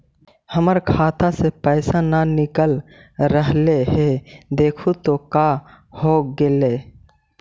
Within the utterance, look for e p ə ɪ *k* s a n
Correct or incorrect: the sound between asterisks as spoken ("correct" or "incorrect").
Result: incorrect